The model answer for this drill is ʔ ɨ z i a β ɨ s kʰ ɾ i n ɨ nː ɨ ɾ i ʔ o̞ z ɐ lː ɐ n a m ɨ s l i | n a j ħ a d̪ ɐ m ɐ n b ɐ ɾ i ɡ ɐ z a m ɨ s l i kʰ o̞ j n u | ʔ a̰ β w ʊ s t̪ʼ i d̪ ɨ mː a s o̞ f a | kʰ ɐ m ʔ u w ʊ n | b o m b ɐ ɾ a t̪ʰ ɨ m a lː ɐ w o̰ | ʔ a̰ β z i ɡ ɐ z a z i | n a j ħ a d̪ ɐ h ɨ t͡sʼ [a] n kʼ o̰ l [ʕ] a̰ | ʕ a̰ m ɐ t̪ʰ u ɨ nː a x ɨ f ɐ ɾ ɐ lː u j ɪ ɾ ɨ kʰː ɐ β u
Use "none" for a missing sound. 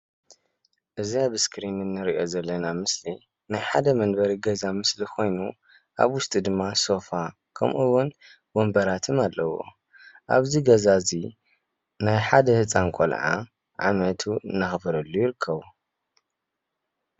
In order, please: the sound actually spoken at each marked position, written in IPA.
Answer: a, ʕ

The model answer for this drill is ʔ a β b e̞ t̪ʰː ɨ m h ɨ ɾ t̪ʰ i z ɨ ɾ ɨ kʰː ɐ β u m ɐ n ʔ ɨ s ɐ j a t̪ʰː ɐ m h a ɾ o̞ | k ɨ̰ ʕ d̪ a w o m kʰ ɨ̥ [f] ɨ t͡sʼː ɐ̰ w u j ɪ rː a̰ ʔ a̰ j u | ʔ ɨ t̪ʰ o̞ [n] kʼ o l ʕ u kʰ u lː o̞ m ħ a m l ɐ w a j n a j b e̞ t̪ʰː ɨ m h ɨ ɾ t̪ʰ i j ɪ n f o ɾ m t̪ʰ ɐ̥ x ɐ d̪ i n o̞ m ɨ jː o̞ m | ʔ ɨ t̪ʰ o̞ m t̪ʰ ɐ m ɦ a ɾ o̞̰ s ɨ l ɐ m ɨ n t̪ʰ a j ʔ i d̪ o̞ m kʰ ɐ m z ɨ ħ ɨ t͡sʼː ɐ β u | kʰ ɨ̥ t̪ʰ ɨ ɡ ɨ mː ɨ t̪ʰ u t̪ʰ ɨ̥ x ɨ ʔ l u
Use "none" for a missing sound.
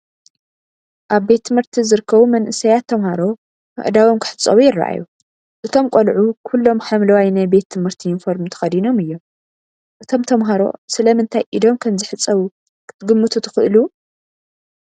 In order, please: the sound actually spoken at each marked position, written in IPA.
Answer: ħ, m

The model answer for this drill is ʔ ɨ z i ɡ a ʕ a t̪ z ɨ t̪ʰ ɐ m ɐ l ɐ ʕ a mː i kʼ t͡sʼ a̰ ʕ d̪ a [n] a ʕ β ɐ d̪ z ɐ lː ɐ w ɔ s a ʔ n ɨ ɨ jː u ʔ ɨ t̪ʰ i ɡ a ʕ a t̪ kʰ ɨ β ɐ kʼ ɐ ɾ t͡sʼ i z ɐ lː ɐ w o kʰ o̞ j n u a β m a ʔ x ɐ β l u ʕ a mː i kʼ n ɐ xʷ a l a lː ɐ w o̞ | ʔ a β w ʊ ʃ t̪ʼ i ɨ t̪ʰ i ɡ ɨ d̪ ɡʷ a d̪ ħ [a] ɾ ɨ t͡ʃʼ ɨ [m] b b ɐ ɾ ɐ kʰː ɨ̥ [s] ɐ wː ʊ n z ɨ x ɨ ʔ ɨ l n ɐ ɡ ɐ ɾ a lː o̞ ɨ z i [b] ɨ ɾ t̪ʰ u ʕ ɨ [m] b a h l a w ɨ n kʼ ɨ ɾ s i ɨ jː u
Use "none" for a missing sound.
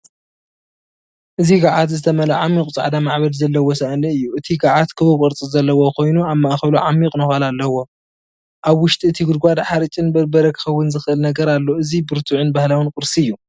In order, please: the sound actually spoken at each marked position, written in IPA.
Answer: m, a, n, x, b, n

